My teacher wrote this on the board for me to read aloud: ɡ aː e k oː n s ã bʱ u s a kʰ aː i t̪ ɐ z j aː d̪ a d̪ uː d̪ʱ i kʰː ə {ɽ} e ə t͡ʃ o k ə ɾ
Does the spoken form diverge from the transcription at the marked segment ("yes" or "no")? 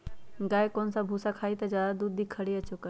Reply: no